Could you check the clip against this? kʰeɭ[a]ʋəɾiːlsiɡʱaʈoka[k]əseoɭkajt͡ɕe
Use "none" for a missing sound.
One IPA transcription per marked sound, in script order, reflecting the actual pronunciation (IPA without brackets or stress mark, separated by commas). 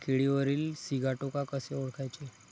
i, k